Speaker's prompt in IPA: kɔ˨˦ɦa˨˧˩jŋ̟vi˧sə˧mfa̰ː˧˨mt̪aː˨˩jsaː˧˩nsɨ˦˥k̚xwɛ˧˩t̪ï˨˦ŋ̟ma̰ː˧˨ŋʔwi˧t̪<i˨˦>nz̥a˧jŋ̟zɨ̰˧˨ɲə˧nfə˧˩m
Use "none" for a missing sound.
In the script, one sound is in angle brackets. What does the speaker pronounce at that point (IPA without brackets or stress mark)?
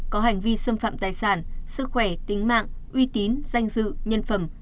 i˨˦